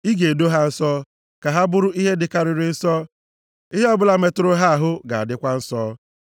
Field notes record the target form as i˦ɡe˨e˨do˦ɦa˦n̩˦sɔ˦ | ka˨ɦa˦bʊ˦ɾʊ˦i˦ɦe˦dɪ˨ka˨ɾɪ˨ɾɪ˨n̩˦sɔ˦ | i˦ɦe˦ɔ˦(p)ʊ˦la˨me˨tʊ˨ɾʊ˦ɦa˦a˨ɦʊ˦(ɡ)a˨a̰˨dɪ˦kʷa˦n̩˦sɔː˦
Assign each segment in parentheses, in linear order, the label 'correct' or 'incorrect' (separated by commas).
incorrect, correct